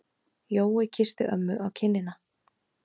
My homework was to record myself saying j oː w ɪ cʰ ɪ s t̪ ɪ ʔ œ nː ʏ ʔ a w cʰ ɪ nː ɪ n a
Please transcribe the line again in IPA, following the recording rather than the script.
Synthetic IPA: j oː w ɪ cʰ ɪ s t̪ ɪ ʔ œ mː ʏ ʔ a w cʰ ɪ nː ɪ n a